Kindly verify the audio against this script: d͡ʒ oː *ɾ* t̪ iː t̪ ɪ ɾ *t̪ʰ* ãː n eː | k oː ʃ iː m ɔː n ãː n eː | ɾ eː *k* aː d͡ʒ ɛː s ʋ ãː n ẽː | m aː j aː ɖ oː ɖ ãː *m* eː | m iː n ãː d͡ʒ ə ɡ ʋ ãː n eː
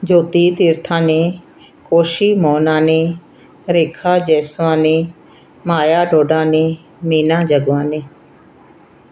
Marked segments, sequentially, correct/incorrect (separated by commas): incorrect, correct, incorrect, incorrect